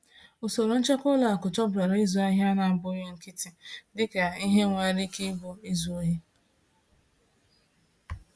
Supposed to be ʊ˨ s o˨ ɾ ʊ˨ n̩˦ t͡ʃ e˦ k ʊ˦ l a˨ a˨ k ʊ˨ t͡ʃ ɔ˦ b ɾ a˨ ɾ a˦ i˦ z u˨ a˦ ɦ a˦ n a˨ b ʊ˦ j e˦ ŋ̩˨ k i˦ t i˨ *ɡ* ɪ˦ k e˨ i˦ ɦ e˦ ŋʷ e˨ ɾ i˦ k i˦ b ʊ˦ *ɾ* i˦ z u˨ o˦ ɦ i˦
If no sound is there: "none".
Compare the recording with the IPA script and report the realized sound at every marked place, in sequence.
d, none

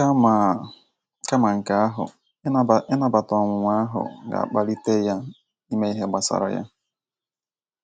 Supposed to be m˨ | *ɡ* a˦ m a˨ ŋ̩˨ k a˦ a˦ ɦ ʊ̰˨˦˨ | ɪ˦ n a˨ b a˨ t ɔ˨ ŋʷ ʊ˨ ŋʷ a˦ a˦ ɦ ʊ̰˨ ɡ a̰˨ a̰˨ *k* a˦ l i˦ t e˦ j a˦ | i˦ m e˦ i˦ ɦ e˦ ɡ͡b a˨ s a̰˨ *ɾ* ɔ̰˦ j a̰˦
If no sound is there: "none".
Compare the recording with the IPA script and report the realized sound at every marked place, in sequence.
k, k͡p, ɾ

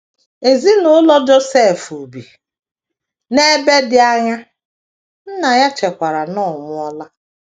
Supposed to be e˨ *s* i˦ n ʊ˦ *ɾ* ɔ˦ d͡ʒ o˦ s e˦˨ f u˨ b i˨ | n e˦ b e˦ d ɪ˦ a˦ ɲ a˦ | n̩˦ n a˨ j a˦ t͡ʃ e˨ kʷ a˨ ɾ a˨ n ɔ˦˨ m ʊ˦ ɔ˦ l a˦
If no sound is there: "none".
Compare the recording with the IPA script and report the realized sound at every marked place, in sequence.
z, l

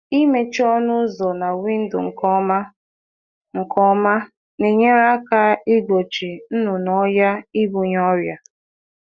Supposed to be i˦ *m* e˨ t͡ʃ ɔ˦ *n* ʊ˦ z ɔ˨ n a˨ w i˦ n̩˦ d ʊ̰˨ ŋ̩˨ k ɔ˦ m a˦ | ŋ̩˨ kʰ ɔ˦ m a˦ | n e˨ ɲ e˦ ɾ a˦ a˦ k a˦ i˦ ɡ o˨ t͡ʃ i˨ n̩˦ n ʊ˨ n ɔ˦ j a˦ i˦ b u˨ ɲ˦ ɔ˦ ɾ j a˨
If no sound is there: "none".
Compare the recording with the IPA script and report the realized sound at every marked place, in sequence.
m, n

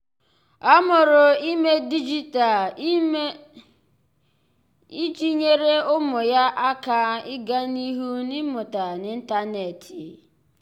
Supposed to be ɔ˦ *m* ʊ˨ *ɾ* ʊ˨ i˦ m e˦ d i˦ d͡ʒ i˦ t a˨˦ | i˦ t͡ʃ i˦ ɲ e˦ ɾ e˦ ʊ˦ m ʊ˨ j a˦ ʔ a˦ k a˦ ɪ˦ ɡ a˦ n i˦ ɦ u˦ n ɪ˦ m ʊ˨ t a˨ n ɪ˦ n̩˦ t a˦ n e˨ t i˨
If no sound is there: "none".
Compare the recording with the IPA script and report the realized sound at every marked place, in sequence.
m, ɾ

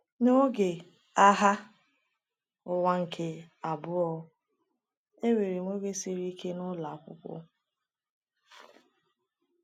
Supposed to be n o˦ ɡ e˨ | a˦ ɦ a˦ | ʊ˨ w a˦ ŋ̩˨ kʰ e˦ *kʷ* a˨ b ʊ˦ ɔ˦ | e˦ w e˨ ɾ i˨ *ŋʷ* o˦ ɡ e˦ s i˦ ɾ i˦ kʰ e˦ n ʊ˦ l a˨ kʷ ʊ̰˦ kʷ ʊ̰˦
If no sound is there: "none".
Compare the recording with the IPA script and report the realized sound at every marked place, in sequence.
none, ŋʷ

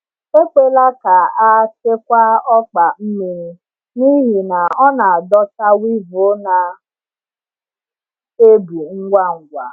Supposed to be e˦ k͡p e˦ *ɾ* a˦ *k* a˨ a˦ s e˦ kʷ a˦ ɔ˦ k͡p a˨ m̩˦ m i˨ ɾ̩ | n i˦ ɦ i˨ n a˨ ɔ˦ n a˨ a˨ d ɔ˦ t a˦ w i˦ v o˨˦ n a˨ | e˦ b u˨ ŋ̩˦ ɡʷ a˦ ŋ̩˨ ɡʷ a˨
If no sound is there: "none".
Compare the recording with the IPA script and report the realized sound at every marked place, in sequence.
l, k

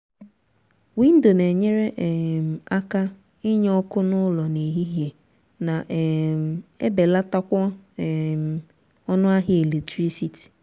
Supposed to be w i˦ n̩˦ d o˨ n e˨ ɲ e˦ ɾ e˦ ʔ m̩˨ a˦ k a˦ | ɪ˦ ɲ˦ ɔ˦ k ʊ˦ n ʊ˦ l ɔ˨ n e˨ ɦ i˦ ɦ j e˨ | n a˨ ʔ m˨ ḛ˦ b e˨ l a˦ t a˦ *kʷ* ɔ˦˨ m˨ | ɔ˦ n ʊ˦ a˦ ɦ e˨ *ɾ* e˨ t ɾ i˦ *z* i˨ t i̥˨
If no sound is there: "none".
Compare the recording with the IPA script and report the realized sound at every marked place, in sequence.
kʷ, l, s

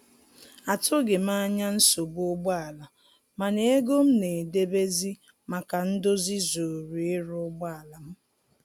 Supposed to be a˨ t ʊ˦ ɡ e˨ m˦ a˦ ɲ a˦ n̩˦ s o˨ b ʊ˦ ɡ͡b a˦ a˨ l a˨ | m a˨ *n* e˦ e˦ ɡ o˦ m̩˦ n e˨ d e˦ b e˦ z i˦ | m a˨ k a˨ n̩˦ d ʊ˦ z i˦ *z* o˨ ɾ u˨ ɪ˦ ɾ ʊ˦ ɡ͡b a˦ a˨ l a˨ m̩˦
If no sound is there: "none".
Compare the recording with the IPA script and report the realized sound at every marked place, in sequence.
n, z

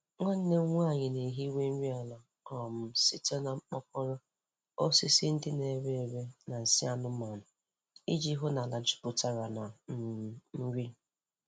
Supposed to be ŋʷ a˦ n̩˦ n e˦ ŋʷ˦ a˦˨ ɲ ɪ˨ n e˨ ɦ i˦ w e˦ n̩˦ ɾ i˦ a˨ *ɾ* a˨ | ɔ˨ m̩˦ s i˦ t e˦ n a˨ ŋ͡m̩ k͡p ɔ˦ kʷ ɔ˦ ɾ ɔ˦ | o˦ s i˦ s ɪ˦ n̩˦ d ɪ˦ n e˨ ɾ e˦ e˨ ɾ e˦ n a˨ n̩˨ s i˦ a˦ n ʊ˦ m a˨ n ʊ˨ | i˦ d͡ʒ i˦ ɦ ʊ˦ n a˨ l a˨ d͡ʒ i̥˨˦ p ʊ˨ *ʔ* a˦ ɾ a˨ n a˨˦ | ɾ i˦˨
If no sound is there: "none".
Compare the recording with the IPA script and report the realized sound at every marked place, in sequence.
l, t

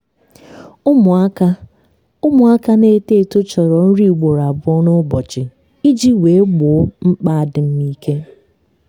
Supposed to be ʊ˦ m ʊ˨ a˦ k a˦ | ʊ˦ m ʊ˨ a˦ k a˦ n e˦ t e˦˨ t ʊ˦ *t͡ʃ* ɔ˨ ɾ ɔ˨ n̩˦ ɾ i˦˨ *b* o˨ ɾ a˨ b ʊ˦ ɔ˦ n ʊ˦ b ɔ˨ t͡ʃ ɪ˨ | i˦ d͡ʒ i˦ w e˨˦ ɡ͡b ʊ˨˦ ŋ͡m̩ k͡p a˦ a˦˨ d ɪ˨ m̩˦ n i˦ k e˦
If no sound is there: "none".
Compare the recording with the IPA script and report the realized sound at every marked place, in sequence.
t͡ʃ, ɡ͡b

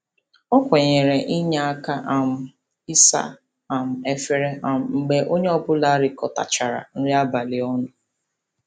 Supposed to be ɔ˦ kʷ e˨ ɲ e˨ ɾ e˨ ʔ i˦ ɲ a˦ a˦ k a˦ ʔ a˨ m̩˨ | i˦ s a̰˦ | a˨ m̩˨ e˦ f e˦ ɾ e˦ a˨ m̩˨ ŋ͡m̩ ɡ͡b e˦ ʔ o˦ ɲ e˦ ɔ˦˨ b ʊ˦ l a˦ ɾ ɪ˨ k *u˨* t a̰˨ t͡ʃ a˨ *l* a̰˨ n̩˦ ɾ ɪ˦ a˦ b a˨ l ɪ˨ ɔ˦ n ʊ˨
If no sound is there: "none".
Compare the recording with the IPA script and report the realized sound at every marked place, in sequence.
ɔ˨, ɾ

